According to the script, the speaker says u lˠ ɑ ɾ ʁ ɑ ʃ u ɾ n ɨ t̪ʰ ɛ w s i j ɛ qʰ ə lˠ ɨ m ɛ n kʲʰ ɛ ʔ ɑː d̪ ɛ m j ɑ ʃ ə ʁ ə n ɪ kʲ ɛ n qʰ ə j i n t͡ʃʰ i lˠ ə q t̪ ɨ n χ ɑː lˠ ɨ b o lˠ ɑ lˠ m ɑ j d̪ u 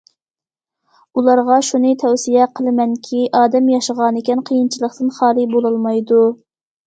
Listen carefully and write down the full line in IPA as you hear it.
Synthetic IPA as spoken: u lˠ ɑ ɾ ʁ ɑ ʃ u n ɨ t̪ʰ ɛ w s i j ɛ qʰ ə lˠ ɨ m ɛ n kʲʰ i ʔ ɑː d̪ ɛ m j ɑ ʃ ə ʁ ɑ n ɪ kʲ ɛ n qʰ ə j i n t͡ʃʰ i lˠ ə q t̪ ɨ n χ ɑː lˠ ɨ b o lˠ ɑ lˠ m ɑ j d̪ u